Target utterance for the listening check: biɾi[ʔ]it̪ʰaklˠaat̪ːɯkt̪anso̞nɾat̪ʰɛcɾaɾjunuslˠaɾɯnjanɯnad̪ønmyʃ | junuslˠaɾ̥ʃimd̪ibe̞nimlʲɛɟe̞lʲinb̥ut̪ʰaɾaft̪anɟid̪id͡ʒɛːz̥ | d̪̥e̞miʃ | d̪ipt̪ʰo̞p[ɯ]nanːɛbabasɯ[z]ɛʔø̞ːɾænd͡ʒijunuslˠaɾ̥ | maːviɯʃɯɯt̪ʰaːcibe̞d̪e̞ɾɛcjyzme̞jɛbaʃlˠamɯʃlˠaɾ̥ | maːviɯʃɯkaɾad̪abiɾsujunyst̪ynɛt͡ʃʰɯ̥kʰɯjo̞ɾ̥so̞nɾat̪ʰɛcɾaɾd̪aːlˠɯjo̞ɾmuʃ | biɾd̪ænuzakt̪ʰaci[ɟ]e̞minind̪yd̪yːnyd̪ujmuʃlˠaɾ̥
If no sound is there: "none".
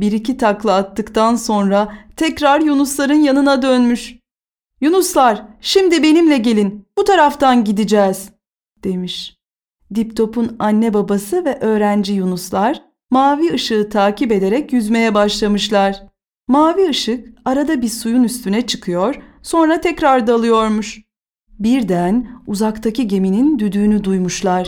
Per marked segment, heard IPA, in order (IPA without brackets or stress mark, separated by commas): c, u, v, ɟ